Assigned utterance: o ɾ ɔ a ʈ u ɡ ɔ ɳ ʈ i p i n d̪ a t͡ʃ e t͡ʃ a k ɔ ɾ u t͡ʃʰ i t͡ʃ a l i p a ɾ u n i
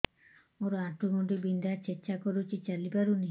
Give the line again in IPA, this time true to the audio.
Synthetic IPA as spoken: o ɾ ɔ a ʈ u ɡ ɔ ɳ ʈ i b i n d̪ a t͡ʃ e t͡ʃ a k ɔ ɾ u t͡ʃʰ i t͡ʃ a l i p a ɾ u n i